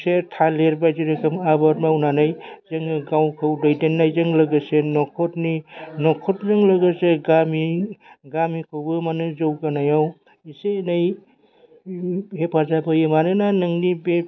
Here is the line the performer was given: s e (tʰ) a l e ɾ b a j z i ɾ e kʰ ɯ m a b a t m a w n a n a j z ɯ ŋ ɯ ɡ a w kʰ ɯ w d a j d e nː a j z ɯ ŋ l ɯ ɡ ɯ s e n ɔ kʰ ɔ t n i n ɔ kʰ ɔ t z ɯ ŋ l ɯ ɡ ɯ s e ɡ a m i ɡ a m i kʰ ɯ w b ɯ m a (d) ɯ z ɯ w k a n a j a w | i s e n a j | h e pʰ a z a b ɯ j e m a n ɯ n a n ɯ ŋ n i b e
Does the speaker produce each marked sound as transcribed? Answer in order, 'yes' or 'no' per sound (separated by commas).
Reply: yes, no